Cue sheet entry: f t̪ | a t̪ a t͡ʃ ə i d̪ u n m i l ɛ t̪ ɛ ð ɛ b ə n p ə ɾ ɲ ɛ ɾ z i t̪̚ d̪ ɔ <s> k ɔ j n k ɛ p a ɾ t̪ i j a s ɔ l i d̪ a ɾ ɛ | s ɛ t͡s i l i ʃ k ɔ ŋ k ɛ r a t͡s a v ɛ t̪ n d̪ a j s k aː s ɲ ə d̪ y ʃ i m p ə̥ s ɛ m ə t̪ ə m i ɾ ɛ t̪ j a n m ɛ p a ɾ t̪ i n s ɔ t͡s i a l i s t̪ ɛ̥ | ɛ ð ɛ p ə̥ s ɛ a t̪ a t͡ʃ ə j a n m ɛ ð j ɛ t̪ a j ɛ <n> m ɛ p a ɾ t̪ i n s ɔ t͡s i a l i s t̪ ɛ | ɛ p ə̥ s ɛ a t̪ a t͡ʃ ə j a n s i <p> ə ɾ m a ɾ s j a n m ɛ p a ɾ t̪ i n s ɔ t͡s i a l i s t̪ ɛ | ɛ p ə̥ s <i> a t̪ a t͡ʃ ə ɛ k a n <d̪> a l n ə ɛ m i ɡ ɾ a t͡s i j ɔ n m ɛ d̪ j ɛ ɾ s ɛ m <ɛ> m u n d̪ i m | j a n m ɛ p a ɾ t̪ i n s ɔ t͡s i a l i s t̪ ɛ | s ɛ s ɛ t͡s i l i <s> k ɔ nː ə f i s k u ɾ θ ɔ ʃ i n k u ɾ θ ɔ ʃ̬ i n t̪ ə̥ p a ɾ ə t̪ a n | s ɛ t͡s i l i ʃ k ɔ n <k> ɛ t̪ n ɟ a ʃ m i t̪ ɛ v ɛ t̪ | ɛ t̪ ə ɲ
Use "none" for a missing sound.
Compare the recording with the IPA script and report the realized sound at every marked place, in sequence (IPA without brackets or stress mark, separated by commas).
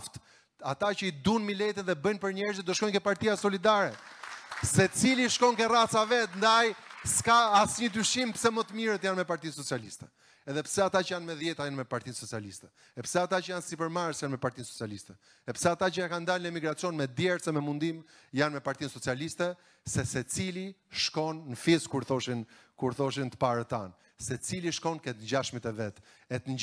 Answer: ʃ, n, p, ɛ, d̪, ɛ, ʃ, k